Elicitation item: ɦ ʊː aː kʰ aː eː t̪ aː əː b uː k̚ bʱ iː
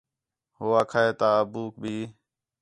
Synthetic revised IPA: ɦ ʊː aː kʰ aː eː t̪ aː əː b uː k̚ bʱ iː